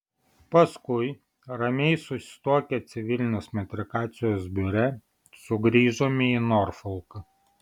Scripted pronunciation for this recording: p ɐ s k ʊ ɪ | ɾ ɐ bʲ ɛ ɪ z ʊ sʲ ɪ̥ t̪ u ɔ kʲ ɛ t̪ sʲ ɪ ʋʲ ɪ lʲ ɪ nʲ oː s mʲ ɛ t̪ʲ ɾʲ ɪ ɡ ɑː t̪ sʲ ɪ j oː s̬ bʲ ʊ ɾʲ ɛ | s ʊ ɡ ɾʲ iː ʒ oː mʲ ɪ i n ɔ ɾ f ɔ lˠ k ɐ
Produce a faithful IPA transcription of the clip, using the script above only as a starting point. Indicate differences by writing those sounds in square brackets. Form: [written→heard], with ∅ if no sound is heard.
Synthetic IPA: p ɐ s k ʊ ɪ | ɾ ɐ [bʲ→mʲ] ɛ ɪ [z→s] ʊ sʲ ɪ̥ t̪ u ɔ kʲ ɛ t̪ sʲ ɪ ʋʲ ɪ lʲ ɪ nʲ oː s mʲ ɛ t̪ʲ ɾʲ ɪ [ɡ→k] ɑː t̪ sʲ ɪ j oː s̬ bʲ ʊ ɾʲ ɛ | s ʊ ɡ ɾʲ iː ʒ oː mʲ ɪ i n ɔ ɾ f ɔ lˠ k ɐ